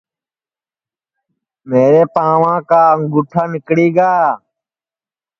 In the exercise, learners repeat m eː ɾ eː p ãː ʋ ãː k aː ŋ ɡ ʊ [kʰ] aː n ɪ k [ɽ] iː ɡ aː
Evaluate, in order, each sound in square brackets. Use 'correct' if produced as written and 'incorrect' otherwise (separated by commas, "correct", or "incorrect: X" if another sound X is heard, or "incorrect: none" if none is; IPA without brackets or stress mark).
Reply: incorrect: ʈʰ, correct